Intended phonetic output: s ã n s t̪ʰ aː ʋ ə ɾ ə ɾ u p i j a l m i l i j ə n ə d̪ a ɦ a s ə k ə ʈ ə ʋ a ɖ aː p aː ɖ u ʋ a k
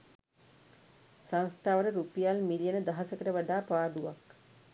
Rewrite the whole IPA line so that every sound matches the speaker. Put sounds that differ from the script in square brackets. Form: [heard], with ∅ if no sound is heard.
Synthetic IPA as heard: s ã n s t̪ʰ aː ʋ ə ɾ ə ɾ u p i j a l m i l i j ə n ə d̪ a ɦ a s ə k ə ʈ ə ʋ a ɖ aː p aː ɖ u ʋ a k